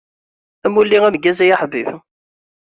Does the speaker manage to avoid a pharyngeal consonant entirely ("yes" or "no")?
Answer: no